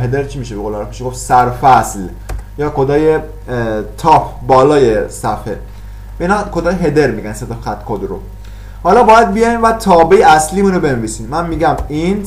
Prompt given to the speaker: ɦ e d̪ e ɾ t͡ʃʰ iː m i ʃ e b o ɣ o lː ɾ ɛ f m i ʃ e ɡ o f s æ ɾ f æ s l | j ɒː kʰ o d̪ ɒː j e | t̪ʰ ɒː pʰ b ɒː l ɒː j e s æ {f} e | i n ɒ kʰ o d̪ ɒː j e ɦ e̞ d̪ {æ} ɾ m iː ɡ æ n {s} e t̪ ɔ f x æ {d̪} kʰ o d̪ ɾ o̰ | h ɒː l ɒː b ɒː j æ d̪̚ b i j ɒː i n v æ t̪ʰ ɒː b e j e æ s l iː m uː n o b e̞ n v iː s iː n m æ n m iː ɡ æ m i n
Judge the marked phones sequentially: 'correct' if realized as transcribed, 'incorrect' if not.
correct, incorrect: e, correct, incorrect: t̪

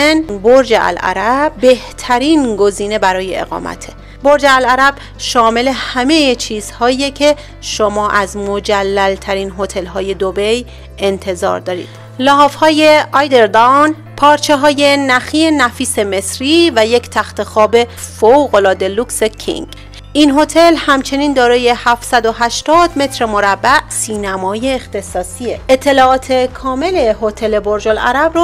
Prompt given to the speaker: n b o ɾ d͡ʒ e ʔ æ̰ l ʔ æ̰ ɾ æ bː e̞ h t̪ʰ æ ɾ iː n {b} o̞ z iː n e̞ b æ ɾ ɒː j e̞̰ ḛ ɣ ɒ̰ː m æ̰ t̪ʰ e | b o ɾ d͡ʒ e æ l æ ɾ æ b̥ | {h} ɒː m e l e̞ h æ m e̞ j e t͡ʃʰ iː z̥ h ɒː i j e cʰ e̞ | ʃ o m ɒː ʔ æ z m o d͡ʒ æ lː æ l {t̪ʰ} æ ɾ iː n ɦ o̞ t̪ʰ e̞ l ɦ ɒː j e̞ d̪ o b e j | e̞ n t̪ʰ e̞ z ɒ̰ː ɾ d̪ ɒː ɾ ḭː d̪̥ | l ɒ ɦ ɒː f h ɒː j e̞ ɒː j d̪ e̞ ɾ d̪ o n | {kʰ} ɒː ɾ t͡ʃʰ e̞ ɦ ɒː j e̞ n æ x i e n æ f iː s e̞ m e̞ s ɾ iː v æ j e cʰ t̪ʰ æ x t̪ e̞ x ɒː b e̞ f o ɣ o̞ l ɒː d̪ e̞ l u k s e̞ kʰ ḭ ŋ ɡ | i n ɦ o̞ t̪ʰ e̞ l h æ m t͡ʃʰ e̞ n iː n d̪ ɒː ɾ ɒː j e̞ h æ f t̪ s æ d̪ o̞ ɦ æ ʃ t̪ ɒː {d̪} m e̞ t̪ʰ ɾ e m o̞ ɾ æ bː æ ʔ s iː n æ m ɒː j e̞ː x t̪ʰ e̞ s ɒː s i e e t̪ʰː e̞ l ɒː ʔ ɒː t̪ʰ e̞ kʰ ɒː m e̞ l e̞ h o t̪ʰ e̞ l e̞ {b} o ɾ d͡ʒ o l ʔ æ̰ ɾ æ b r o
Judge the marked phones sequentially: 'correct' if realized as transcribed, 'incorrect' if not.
incorrect: ɡ, incorrect: ʃ, correct, incorrect: pʰ, correct, correct

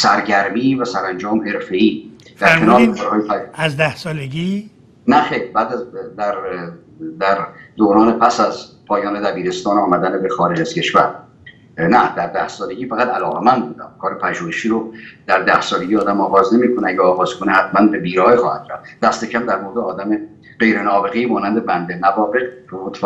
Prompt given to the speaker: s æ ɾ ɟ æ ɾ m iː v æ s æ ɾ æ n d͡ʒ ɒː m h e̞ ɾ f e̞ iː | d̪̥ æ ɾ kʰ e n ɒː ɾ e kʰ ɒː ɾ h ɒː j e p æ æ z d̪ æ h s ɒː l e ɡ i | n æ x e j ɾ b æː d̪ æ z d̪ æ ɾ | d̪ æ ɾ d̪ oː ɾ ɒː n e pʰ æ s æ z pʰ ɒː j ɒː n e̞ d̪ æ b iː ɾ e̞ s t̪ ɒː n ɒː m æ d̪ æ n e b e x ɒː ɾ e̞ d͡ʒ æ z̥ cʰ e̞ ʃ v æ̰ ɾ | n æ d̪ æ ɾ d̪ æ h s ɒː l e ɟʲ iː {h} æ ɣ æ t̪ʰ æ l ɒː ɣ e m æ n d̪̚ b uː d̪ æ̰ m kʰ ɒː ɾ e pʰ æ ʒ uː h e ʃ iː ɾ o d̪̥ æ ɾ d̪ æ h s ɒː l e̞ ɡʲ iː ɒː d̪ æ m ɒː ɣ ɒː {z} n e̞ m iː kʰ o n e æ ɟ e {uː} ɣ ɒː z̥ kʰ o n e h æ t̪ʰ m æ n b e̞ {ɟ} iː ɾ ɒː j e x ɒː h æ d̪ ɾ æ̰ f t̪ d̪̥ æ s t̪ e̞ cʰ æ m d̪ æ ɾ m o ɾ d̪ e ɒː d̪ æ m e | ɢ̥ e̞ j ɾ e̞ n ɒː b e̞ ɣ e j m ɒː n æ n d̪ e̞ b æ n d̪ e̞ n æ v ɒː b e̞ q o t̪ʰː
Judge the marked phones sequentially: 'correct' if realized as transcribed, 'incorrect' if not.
incorrect: f, correct, incorrect: ɒː, incorrect: b

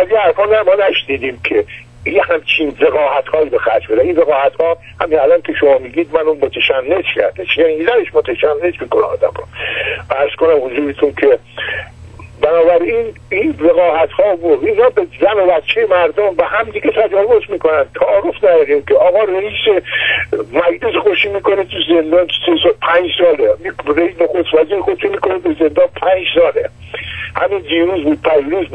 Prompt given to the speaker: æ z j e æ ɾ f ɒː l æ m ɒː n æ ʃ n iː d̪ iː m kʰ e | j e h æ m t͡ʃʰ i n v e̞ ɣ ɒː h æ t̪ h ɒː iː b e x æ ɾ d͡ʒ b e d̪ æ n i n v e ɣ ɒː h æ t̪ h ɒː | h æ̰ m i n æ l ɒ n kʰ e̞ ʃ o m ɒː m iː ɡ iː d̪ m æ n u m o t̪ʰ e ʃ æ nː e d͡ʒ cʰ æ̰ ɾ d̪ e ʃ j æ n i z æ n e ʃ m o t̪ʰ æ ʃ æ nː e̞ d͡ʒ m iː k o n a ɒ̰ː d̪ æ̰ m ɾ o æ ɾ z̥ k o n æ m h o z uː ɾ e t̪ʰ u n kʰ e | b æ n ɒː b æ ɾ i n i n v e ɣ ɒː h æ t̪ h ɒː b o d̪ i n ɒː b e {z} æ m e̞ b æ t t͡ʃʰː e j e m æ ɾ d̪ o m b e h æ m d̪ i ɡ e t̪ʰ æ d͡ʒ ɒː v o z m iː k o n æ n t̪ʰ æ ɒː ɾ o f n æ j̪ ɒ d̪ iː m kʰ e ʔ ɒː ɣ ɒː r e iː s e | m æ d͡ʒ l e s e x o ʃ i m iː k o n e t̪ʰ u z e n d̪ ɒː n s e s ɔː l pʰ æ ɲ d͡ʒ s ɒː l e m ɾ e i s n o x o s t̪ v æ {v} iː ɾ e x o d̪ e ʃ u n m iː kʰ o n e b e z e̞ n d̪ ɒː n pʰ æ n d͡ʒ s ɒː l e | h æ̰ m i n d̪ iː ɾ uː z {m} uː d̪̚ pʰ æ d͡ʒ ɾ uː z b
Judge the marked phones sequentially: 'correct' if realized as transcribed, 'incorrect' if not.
correct, incorrect: z, incorrect: b

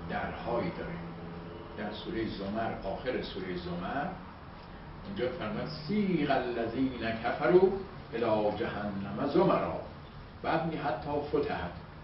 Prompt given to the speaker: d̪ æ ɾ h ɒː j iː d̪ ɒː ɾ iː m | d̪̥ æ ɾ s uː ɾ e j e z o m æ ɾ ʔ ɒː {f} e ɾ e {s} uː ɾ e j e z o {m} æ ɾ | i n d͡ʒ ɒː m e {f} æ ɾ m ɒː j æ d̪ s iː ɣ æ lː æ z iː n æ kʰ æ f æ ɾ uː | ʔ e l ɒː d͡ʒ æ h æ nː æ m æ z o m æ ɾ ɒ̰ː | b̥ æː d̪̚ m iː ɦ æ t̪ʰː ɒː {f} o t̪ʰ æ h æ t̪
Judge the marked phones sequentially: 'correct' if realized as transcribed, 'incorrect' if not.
incorrect: x, correct, correct, correct, correct

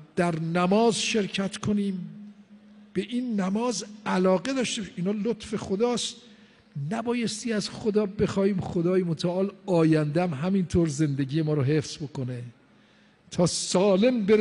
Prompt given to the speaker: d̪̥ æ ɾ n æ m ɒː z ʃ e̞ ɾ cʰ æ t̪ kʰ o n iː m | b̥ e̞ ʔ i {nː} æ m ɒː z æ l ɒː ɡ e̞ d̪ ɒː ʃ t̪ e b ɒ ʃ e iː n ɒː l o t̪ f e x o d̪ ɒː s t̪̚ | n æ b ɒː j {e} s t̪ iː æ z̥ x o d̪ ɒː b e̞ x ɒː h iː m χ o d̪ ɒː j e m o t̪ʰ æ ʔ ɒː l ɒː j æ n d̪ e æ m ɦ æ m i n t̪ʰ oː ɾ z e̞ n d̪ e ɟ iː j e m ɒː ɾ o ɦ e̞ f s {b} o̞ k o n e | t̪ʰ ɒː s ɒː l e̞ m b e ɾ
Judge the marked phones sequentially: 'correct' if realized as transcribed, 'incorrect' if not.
correct, correct, correct

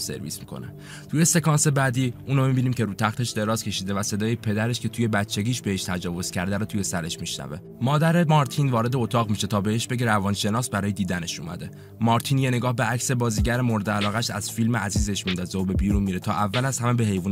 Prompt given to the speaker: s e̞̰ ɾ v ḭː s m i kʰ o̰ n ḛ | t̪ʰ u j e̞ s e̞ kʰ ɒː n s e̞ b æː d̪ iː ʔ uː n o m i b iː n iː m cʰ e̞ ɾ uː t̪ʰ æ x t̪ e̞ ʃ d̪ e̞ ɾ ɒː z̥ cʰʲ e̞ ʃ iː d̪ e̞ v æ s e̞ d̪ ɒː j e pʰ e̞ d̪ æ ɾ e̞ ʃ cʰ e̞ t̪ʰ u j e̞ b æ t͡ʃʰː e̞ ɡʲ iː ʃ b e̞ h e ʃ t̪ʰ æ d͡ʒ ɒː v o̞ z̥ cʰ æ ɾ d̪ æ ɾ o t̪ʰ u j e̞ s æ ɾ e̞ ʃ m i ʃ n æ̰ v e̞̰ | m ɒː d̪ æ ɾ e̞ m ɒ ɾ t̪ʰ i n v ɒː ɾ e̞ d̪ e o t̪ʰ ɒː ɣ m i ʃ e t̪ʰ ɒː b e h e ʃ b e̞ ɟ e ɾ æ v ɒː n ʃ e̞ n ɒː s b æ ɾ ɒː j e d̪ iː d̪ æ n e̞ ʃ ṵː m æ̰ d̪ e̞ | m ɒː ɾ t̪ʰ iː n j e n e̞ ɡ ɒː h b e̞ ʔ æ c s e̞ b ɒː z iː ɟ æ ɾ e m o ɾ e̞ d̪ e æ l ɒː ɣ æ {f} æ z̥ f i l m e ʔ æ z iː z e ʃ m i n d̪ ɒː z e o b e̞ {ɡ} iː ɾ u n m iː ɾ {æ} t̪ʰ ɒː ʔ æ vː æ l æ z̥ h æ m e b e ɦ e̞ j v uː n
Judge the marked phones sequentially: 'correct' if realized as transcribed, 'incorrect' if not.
incorrect: ʃ, incorrect: b, incorrect: e

